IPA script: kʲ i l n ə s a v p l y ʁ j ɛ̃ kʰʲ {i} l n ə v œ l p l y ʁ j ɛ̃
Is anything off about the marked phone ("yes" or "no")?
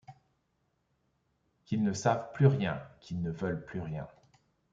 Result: no